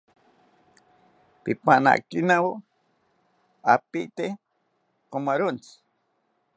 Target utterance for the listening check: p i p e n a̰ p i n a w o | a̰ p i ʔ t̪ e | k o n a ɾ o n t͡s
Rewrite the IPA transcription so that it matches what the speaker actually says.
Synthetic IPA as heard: p i p a n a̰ k i n a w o | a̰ p i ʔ t̪ e | k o m a ɾ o n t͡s